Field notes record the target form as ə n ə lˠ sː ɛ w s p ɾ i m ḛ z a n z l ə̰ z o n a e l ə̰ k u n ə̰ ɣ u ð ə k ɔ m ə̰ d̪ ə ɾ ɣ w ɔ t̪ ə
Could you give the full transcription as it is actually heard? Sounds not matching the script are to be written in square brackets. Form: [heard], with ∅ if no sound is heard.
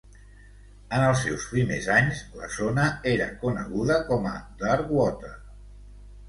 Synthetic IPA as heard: ə n ə lˠ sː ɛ w s p ɾ i m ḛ z a [ɲ] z l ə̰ z o n [ə] e [ɾ] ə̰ k u n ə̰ ɣ u ð ə k ɔ m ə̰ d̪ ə ɾ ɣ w ɔ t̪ ə